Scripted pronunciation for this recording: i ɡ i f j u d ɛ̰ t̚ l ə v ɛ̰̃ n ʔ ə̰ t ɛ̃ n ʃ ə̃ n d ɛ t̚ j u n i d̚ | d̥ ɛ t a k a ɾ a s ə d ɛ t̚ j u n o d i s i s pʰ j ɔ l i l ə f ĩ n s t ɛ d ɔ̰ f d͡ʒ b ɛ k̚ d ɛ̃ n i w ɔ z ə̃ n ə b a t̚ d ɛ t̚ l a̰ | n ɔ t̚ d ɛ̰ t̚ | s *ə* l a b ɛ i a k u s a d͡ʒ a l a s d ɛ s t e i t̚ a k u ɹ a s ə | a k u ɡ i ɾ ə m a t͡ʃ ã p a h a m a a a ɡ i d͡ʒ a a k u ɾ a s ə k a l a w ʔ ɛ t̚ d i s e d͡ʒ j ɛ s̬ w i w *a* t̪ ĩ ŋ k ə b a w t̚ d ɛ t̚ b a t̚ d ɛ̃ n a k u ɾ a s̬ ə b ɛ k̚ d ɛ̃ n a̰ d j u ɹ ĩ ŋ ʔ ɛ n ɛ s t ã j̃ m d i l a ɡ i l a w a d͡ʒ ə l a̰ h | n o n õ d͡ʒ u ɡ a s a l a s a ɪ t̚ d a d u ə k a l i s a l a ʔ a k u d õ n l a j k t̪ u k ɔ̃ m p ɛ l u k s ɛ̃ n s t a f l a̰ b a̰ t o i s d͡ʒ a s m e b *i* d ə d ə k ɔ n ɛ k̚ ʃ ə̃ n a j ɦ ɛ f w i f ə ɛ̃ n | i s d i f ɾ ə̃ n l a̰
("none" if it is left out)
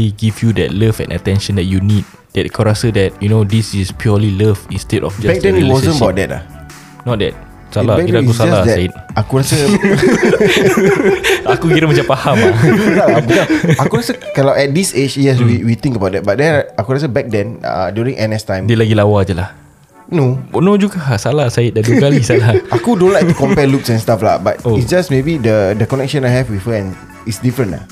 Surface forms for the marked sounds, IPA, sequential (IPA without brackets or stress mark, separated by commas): a, i, i